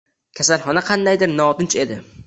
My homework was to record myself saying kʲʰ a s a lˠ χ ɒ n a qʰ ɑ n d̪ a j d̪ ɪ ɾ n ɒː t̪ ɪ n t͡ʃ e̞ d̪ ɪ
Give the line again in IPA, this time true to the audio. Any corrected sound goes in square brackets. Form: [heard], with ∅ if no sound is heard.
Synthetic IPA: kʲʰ a s a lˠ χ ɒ n a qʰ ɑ n d̪ a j d̪ ɪ ɾ n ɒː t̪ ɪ n t͡ʃ e̞ d̪ ɪ